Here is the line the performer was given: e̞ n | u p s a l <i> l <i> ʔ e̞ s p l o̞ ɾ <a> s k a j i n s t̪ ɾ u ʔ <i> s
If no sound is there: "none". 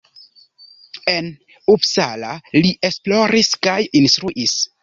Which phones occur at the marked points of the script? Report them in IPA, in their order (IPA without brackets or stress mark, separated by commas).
a, i, i, i